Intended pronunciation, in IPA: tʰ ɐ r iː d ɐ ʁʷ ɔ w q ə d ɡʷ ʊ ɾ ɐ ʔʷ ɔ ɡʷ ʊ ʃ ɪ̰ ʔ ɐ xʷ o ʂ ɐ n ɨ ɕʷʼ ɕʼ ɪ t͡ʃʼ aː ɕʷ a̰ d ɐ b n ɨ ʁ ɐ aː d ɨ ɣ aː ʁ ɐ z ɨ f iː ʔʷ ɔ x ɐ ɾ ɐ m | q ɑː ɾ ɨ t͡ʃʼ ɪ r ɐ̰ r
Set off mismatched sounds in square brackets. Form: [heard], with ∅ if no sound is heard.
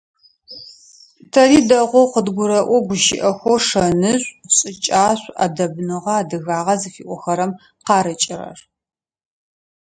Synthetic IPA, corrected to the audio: tʰ ɐ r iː d ɐ ʁʷ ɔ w q ə d ɡʷ ʊ ɾ ɐ ʔʷ ɔ ɡʷ ʊ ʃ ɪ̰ ʔ ɐ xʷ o ʂ ɐ n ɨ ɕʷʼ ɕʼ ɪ t͡ʃʼ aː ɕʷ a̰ d ɐ b n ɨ ʁ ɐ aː d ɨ ɣ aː ʁ ɐ z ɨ f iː ʔʷ ɔ x ɐ ɾ ɐ m | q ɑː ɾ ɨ t͡ʃʼ ɪ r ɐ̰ r